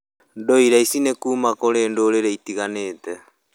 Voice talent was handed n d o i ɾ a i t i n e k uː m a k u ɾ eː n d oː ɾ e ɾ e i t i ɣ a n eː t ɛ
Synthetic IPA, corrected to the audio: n d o i ɾ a i s i n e k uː m a k o ɾ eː n d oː ɾ e ɾ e i t i ɣ a n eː t ɛ